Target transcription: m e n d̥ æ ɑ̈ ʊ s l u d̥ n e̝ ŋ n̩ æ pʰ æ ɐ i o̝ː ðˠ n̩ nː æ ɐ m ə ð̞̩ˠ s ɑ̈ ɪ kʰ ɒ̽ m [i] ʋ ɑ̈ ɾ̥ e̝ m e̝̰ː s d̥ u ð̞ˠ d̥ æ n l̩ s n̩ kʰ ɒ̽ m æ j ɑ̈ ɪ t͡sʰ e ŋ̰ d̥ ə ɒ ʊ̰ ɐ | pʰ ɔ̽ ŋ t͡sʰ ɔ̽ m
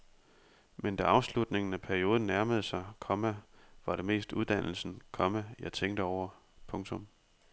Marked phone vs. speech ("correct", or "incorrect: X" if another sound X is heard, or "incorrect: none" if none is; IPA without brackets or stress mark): incorrect: æ